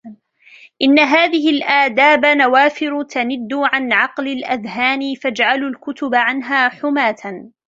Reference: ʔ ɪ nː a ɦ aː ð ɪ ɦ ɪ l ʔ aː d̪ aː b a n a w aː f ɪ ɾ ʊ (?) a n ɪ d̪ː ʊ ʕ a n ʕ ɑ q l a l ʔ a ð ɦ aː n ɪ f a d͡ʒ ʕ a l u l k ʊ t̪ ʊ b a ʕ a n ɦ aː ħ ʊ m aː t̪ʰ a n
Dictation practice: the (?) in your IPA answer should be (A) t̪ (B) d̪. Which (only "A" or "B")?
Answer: A